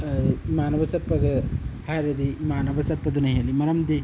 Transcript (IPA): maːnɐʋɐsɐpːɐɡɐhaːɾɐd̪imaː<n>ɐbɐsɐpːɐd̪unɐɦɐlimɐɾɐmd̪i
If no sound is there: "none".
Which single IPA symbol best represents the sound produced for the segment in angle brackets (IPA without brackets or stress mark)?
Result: n